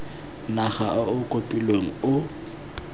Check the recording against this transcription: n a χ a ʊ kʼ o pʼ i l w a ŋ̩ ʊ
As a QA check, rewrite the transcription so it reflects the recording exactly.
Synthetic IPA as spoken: n a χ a ʊ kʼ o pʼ i l w e ŋ̩ ʊ